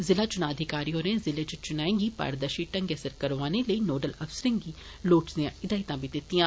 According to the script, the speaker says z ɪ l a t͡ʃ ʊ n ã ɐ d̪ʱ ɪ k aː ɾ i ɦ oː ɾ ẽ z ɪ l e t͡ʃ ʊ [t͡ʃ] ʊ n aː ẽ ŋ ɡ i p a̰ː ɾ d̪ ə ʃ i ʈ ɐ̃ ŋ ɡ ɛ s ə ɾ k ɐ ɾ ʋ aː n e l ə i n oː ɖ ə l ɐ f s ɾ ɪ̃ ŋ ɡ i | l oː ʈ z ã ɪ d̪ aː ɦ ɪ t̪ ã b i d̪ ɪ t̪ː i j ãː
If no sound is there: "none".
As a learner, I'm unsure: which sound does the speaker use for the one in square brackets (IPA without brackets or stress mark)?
t͡ʃ